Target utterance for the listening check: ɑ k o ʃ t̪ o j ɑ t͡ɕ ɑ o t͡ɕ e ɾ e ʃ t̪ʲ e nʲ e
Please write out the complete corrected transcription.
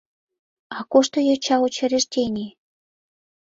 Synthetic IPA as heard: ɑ k o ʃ t̪ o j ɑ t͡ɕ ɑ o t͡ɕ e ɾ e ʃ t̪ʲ e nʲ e